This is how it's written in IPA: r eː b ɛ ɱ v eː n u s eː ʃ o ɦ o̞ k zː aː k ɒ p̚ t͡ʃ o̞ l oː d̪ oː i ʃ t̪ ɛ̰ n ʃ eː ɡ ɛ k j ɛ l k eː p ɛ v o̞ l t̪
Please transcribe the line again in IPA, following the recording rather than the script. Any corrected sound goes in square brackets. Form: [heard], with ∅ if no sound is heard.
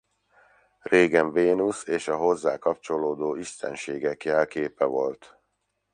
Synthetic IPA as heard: r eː [ɡ] ɛ ɱ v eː n u s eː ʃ [ɒ] ɦ o̞ [∅] zː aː k ɒ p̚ t͡ʃ o̞ l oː d̪ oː i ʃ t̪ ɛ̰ n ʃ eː ɡ ɛ k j ɛ l k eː p ɛ v o̞ l t̪